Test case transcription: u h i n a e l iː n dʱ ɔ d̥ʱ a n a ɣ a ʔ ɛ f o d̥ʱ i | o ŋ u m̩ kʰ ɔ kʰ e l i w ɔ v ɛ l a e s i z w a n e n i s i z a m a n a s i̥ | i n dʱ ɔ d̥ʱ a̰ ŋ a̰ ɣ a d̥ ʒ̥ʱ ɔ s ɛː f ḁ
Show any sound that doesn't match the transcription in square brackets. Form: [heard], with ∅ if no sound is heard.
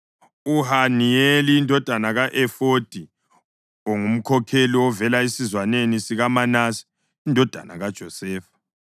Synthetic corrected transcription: u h [a] n [i] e l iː n dʱ ɔ d̥ʱ a n a ɣ a ʔ ɛ f o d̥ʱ i | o ŋ u m̩ kʰ ɔ kʰ e l i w ɔ v ɛ l a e s i z w a n e n i s i [ɣ] a m a n a s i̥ | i n dʱ ɔ d̥ʱ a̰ [n] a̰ ɣ a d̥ ʒ̥ʱ ɔ s ɛː f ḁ